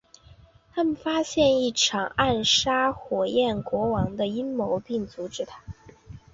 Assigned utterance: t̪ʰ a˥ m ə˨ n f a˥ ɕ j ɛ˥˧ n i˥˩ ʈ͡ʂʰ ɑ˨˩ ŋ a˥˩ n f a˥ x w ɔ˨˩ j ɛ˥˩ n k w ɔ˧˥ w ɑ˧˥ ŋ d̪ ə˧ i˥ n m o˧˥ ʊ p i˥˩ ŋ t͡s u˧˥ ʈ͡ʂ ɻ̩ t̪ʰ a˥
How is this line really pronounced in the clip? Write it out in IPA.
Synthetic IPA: t̪ʰ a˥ m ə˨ n f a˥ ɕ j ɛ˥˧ n i˥˩ ʈ͡ʂʰ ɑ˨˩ ŋ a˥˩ n ʂ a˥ x w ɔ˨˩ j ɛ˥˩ n k w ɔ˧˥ w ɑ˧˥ ŋ d̪ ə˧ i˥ n m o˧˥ ʊ p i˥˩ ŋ t͡s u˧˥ ʈ͡ʂ ɻ̩ t̪ʰ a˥